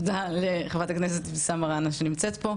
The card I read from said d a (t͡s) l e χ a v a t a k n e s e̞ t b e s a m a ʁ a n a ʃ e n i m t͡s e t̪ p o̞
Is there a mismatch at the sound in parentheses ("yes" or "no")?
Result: yes